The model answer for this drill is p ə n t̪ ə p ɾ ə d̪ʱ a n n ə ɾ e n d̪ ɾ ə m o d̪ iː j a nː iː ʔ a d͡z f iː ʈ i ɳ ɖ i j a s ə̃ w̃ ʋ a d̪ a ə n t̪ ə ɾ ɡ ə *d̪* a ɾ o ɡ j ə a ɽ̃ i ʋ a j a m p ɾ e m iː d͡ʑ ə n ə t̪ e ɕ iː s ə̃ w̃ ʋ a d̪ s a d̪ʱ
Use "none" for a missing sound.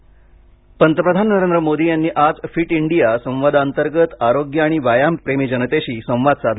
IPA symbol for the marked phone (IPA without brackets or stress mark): t̪